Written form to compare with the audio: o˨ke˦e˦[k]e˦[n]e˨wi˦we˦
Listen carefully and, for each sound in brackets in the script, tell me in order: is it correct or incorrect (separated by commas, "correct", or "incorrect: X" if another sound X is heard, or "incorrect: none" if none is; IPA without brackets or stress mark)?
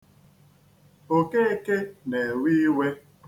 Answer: correct, correct